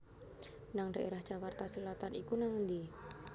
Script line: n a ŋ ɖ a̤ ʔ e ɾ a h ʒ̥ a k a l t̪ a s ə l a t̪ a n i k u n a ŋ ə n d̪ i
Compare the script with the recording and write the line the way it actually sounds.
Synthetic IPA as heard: n a ŋ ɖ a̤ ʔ e ɾ a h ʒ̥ a k a r t̪ a s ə l a t̪ a n i k u n a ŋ ə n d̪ i